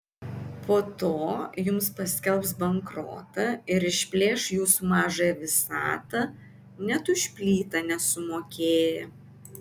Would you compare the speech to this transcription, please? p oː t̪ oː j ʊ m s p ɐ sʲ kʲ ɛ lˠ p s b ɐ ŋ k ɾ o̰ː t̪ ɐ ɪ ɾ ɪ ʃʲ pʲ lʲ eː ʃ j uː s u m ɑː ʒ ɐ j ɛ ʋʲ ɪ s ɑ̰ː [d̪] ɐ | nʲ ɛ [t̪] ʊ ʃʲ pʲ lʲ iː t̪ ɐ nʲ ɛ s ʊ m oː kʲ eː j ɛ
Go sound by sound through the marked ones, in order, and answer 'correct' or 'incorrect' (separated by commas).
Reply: incorrect, correct